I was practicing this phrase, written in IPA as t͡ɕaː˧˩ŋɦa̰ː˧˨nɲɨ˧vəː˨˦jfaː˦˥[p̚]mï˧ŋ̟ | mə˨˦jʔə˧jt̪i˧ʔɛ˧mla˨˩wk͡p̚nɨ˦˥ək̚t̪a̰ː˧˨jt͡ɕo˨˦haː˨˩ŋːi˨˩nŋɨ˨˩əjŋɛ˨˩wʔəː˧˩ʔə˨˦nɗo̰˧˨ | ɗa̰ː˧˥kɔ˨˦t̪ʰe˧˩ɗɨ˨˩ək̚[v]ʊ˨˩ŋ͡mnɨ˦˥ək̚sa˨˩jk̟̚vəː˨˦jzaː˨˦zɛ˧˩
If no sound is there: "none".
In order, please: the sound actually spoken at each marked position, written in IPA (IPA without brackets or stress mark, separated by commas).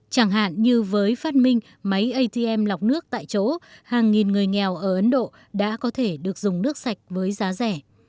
t̚, z